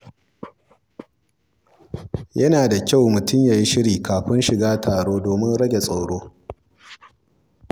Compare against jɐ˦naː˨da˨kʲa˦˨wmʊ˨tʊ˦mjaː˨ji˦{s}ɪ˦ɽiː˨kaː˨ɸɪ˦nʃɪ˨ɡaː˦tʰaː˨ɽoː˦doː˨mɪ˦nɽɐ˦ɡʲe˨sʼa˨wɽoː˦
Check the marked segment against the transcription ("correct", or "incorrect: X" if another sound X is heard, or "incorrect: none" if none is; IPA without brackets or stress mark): incorrect: ʃ